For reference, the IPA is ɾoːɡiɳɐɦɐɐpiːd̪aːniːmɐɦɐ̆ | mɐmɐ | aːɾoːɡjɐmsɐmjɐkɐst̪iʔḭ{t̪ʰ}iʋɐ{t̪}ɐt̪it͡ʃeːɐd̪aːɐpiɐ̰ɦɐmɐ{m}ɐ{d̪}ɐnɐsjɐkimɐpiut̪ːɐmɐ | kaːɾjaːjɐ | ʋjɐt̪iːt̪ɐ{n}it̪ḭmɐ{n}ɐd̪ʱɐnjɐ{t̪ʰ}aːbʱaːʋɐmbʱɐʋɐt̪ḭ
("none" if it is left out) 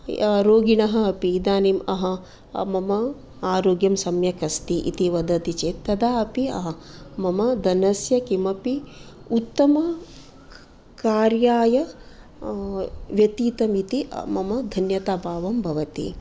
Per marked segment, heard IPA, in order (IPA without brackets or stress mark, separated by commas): t̪, d̪, m, d̪, m, m, t̪